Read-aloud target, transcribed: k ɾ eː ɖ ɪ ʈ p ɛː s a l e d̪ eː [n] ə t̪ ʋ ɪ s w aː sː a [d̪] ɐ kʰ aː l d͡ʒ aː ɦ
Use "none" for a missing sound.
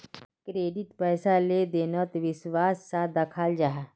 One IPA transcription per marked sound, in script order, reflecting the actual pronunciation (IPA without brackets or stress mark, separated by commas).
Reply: n, d̪